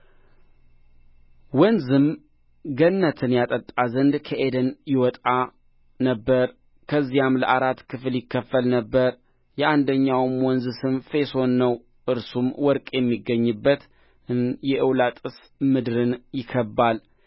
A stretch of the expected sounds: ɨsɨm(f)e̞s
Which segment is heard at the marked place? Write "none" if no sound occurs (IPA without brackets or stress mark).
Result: f